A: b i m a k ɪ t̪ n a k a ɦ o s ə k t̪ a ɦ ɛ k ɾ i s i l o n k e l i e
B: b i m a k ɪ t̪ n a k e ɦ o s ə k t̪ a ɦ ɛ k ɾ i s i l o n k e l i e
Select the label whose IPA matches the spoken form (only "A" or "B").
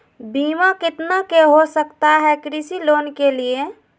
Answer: B